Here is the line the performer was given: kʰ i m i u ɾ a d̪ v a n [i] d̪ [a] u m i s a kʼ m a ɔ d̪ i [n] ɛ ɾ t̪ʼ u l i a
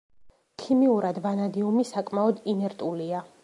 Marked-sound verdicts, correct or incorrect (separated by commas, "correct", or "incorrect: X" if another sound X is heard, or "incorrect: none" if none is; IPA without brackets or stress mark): incorrect: a, incorrect: i, correct